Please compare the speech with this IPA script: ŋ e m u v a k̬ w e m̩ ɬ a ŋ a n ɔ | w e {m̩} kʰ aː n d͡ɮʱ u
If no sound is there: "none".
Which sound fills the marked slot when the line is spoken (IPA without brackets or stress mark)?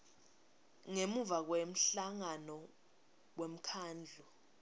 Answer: m̩